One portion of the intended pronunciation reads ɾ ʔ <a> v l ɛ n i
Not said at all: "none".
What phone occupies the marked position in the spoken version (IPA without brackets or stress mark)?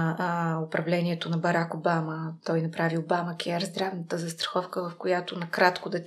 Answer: ɐ